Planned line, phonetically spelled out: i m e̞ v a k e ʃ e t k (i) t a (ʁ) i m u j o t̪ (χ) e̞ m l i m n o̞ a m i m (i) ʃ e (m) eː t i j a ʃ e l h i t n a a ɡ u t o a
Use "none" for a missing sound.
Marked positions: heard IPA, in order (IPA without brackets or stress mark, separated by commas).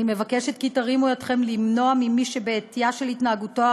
i, ʁ, χ, i, b